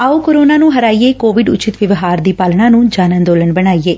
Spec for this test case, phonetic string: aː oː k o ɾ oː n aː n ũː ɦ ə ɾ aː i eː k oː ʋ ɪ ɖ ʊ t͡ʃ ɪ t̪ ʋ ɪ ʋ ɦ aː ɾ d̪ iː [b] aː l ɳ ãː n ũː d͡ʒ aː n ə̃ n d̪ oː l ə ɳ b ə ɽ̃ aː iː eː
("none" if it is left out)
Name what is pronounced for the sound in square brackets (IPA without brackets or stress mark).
p